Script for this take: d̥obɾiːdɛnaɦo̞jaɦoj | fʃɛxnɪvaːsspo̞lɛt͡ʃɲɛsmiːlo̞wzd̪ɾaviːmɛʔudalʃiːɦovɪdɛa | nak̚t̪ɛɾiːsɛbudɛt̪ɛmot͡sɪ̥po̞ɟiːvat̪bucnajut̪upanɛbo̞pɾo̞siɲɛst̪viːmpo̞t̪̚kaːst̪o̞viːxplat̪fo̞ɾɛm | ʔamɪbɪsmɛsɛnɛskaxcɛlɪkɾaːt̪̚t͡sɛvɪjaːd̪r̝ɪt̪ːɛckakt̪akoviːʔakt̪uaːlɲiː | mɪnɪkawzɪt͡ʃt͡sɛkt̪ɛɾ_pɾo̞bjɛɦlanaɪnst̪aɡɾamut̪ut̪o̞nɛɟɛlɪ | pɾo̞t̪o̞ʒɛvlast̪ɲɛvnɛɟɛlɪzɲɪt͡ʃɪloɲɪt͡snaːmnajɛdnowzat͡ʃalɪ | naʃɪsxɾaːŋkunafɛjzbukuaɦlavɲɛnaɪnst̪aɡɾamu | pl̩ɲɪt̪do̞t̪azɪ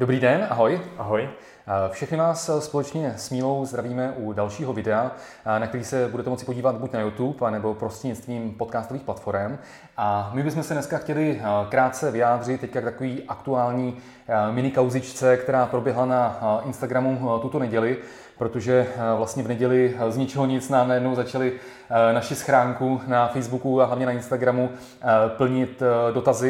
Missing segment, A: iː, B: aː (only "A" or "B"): B